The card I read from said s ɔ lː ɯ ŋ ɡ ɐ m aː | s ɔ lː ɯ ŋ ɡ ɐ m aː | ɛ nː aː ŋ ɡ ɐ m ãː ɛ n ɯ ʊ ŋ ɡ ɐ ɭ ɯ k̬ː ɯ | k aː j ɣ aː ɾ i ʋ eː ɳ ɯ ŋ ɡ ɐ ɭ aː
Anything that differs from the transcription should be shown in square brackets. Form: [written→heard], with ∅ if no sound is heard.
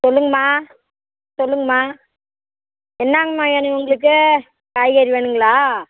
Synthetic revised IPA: s ɔ lː ɯ ŋ ɡ ɐ m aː | s ɔ lː ɯ ŋ ɡ ɐ m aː | ɛ nː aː ŋ ɡ ɐ m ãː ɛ n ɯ ʊ ŋ ɡ ɐ ɭ ɯ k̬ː ɯ | k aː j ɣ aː ɾ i ʋ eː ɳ ɯ ŋ ɡ ɐ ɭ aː